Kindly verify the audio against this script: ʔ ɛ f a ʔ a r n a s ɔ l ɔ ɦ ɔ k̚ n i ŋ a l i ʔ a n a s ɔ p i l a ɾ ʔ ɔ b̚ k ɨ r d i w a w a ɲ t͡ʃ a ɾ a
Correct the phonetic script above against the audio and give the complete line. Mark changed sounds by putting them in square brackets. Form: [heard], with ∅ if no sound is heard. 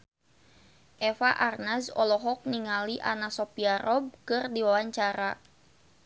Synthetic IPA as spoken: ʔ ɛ f a ʔ a r n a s ɔ l ɔ ɦ ɔ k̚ n i ŋ a l i ʔ a n a s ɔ p i [∅] a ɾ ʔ ɔ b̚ k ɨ r d i w a w a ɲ t͡ʃ a ɾ a